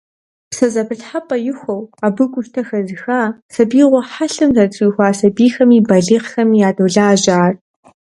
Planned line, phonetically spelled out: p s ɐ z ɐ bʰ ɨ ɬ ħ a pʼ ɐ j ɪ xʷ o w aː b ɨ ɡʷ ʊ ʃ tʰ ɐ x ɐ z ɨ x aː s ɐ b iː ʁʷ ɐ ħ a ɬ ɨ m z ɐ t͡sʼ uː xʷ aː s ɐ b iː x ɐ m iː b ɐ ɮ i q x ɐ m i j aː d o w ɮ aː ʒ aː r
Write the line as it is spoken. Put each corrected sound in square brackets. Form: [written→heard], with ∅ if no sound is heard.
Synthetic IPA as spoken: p s ɐ z ɐ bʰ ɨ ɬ ħ a pʼ ɐ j ɪ xʷ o w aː b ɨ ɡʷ ʊ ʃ tʰ ɐ x ɐ z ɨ x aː s ɐ b iː ʁʷ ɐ ħ a ɬ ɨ m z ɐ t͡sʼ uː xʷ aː s ɐ b iː x ɐ m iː b ɐ ɮ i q x ɐ m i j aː d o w ɮ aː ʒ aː r